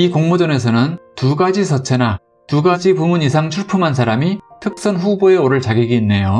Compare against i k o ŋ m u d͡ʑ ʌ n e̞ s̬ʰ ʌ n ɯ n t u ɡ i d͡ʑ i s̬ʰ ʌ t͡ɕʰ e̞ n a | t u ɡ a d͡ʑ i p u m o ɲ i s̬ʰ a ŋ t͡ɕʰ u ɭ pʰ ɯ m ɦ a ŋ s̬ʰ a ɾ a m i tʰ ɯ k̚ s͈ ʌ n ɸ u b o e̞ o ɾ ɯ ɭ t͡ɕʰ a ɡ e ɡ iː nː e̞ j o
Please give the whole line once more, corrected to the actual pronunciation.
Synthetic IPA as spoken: i k o ŋ m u d͡ʑ ʌ n e̞ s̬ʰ ʌ n ɯ n t u ɡ a d͡ʑ i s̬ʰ ʌ t͡ɕʰ e̞ n a | t u ɡ a d͡ʑ i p u m u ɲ i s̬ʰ a ŋ t͡ɕʰ u ɭ pʰ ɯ m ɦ a n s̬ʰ a ɾ a m i tʰ ɯ k̚ s͈ ʌ n ɸ u b o e̞ o ɾ ɯ ɭ t͡ɕ a ɡ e ɡ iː nː e̞ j o